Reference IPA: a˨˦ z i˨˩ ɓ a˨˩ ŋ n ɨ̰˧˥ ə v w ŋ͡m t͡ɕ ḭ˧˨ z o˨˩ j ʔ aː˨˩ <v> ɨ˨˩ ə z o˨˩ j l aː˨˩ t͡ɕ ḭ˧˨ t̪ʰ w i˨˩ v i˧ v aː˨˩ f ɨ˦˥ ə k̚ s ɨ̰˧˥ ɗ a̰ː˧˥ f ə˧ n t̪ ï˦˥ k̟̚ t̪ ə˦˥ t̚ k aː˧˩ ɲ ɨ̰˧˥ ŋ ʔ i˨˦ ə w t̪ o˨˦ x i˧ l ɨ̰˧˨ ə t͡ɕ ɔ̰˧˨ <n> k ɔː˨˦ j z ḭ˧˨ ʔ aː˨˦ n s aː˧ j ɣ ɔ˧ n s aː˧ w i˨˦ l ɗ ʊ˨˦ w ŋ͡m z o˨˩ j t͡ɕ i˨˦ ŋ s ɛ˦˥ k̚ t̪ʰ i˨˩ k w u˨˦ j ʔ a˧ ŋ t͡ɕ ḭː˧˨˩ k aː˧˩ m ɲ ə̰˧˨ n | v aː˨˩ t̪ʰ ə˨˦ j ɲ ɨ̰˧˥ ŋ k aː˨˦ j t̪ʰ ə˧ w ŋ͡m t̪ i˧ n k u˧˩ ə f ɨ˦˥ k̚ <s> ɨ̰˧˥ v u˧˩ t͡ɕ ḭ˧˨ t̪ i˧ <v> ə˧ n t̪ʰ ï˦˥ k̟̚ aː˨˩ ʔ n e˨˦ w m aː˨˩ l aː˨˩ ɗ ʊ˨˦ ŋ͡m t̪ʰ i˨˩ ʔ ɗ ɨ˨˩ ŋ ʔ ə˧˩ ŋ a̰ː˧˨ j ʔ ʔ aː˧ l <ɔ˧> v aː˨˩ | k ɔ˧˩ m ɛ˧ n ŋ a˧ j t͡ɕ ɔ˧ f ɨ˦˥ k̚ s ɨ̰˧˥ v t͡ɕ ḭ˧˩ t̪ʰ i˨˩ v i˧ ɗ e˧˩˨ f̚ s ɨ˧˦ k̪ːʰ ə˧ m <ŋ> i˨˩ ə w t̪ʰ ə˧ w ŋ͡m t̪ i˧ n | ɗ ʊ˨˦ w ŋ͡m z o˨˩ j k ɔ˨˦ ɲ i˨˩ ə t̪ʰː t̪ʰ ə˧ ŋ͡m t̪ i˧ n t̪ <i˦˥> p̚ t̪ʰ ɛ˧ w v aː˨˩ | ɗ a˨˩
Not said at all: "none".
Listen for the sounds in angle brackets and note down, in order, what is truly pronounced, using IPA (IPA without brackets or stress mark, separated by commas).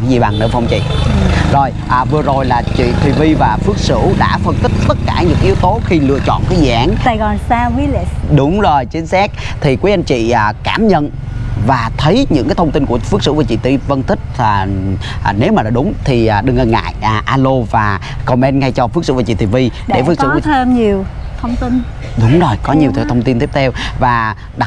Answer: v, n, s, v, o˧, ɲ, i˦˥